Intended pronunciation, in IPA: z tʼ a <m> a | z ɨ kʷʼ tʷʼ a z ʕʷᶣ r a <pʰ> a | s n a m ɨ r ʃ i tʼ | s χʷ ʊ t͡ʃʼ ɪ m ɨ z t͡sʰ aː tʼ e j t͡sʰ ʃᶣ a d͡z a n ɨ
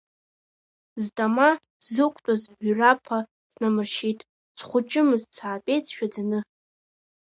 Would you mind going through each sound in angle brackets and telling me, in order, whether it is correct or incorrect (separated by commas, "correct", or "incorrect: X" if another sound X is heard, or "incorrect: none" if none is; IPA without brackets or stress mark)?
correct, correct